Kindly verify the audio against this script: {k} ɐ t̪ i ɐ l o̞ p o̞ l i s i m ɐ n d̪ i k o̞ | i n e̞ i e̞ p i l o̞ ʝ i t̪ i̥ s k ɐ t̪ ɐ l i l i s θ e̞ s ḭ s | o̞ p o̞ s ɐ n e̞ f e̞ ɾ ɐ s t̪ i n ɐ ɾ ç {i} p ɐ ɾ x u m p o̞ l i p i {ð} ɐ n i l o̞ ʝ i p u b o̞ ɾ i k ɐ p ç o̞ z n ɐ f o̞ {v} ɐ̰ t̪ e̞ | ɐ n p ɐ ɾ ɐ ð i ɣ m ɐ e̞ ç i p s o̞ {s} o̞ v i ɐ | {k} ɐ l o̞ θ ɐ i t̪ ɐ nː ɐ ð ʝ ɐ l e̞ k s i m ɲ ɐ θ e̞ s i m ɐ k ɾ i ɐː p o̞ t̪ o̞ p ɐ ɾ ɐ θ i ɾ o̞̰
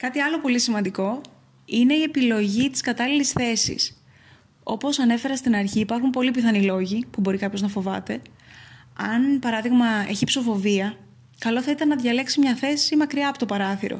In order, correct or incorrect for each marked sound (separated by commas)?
correct, incorrect, incorrect, correct, incorrect, correct